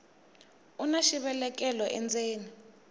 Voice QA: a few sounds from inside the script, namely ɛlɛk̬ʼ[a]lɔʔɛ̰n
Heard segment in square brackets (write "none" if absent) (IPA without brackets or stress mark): ɛ